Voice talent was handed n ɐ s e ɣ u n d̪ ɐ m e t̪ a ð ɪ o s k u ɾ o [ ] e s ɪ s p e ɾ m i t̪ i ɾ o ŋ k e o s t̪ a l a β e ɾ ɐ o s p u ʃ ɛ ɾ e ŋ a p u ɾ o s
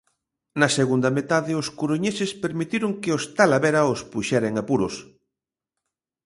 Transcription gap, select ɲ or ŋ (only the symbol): ɲ